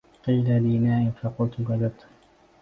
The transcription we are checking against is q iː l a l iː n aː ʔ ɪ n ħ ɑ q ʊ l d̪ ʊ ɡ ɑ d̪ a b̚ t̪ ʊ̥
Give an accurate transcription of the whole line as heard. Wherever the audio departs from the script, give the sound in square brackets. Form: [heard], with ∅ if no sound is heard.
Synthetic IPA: q iː l a l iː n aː ʔ ɪ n [f] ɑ q ʊ l [t̪] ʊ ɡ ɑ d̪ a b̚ t̪ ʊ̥